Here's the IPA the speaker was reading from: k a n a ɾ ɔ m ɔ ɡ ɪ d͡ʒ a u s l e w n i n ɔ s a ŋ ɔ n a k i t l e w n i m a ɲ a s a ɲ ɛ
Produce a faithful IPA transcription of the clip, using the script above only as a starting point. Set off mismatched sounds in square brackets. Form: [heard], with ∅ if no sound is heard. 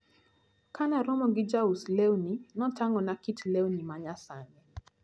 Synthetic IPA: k a n a ɾ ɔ m ɔ ɡ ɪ d͡ʒ a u s l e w n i n ɔ [t] a ŋ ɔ n a k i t l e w n i m a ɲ a s a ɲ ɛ